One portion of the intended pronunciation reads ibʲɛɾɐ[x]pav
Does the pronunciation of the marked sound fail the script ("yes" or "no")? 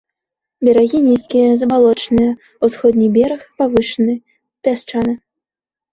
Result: no